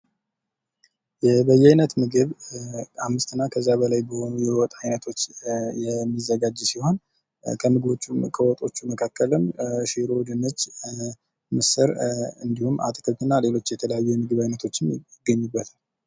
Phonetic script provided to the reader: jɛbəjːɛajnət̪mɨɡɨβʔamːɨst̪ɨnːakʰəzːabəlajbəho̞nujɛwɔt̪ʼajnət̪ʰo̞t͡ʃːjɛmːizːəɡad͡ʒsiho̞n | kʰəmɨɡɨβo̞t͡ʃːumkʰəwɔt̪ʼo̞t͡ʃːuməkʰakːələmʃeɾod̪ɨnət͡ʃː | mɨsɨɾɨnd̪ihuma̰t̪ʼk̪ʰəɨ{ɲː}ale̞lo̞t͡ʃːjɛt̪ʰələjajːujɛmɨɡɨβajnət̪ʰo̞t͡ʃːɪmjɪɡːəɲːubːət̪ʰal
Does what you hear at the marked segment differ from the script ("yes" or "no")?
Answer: yes